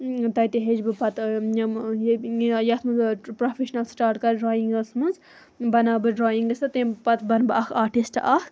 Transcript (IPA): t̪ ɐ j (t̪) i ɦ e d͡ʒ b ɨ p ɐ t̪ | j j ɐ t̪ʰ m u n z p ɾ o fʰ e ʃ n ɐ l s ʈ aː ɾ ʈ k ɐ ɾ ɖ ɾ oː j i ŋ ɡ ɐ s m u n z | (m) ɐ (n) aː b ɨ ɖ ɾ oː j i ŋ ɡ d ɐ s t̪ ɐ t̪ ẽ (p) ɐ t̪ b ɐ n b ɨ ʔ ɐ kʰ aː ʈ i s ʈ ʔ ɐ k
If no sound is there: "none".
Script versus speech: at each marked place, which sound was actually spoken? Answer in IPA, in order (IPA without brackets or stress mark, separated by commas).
t̪, b, n, p